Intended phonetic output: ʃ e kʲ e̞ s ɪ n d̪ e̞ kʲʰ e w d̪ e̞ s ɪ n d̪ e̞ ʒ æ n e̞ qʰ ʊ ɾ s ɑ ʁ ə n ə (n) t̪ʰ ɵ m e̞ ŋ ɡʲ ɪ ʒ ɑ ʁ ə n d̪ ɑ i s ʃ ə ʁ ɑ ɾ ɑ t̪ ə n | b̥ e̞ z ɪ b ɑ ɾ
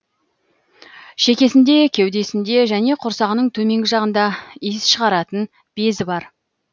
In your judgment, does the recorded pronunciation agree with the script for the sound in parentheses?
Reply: no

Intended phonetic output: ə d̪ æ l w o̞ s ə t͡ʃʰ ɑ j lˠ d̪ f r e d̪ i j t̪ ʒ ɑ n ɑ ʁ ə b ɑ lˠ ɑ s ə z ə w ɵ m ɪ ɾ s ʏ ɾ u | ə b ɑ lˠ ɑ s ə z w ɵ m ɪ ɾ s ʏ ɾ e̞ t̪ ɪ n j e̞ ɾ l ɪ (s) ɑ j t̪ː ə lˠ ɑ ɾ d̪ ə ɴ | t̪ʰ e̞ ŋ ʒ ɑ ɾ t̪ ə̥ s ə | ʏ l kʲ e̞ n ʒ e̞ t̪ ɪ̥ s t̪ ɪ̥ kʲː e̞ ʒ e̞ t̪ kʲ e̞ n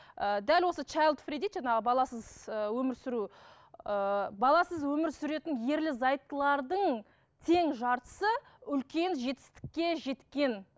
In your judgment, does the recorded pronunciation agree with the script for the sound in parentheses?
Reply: no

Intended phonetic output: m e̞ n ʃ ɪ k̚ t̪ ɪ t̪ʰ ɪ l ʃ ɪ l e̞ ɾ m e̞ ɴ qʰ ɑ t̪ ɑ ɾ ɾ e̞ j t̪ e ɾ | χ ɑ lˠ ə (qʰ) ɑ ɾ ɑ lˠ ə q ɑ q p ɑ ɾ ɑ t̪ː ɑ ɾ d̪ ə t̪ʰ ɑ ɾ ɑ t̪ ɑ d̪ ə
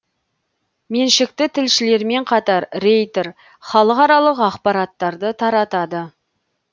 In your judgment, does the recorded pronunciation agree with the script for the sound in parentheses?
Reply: no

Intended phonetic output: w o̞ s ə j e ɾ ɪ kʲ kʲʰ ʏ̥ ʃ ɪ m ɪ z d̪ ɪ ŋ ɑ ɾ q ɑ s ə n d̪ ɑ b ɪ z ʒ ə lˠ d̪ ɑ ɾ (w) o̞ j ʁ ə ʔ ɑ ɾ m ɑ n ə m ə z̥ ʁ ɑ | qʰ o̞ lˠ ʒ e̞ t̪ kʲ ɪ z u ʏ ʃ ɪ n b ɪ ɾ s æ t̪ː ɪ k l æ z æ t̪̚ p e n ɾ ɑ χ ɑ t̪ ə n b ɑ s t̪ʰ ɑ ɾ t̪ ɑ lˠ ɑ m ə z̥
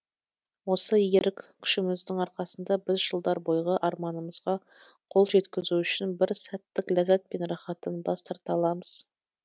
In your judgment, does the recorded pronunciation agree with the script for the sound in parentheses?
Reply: no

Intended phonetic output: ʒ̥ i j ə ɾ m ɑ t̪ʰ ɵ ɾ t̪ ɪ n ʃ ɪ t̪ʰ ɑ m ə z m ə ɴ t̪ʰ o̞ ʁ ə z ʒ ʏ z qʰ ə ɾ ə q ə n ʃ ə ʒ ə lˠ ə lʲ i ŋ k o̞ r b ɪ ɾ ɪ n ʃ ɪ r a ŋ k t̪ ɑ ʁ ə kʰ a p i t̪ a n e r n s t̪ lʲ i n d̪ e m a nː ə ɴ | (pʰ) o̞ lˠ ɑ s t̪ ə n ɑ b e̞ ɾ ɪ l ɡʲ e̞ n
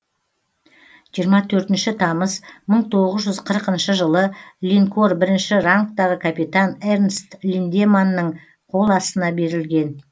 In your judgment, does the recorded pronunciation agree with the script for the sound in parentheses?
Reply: no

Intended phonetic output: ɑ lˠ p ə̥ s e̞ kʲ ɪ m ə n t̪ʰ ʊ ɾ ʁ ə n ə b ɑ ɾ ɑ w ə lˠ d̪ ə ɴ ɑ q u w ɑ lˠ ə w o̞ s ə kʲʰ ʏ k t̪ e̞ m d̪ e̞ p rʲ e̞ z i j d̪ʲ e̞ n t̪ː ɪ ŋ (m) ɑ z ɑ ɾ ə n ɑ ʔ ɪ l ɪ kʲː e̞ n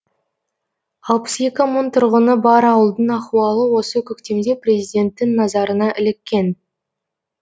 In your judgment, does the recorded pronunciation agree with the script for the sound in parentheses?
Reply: no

